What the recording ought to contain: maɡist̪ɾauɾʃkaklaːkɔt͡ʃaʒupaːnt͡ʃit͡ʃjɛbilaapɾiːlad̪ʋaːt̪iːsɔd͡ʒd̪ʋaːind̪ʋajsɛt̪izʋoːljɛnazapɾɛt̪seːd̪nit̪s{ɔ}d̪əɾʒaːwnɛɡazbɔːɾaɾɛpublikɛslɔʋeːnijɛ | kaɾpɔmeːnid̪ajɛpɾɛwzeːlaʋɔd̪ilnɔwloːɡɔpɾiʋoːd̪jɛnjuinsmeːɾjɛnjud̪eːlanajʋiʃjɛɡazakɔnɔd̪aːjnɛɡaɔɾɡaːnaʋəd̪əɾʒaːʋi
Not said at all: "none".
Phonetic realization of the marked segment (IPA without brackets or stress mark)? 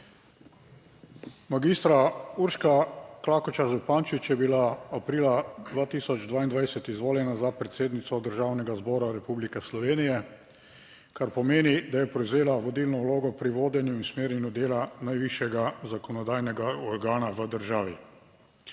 ɔ